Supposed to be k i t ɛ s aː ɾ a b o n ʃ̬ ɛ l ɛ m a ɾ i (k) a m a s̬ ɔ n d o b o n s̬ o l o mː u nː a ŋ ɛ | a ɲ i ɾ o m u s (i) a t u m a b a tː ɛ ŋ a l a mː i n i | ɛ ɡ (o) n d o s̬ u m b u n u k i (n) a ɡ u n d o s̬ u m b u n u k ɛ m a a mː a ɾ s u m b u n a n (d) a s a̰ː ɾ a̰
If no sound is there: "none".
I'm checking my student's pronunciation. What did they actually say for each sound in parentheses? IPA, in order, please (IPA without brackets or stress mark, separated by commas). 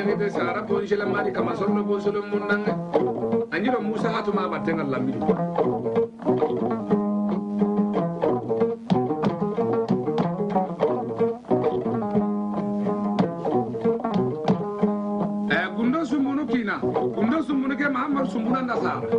k, a, u, n, d